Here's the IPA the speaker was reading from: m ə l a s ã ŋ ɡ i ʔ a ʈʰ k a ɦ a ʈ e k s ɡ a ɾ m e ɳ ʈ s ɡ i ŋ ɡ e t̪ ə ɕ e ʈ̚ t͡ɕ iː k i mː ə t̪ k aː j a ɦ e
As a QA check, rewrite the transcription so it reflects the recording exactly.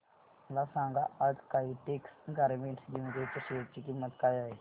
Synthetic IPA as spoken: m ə l a s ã ŋ ɡ a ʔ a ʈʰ k a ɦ i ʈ e k s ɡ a ɾ m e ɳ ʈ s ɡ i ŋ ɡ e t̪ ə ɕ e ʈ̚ t͡ɕ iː k i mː ə t̪ k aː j a ɦ e